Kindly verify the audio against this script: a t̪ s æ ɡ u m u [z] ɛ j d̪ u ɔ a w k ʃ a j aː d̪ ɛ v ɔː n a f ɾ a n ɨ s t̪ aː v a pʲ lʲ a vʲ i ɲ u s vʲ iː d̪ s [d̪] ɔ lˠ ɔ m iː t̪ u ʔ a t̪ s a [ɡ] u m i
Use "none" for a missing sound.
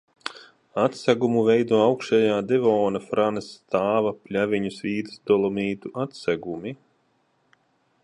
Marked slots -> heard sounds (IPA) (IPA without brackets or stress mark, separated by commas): v, d̪, ɡ